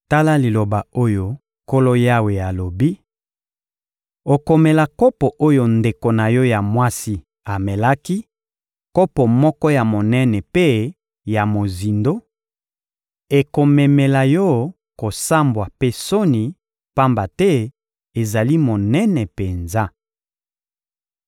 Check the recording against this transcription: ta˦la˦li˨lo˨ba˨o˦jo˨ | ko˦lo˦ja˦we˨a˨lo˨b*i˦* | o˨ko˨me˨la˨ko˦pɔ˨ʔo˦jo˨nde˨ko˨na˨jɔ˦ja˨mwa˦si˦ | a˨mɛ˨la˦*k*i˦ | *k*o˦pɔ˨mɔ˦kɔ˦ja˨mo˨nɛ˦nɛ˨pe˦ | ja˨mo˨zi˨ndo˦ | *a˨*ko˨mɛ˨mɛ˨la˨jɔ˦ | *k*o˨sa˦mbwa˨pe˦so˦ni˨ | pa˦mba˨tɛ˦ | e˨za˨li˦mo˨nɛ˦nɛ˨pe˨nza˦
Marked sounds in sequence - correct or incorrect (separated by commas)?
correct, correct, correct, incorrect, correct